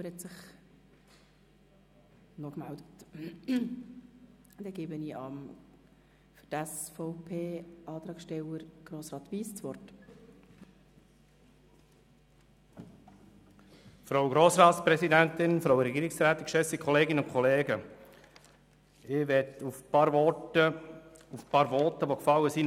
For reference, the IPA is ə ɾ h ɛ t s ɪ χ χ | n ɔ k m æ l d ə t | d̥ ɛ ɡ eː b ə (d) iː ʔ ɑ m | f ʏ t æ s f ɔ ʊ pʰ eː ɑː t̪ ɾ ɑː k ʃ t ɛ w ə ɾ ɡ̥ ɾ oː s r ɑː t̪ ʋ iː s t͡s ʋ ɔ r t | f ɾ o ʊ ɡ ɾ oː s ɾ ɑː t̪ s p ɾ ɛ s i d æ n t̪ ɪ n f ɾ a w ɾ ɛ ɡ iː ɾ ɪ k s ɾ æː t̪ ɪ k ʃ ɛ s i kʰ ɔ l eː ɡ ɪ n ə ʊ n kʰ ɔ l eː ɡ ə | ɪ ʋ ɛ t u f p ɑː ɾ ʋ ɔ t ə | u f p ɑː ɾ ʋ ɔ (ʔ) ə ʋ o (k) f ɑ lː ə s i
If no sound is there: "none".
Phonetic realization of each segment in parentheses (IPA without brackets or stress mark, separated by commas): n, t, k